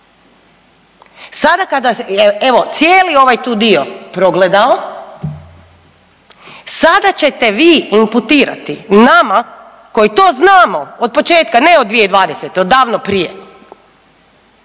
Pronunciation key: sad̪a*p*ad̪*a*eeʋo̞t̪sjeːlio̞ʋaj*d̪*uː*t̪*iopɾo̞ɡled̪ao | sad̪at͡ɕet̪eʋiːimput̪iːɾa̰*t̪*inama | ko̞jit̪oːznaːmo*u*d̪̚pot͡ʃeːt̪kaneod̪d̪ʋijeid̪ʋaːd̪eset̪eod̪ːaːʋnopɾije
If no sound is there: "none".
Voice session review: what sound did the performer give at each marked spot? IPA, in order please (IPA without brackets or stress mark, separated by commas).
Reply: k, a, t̪, d̪, t̪, o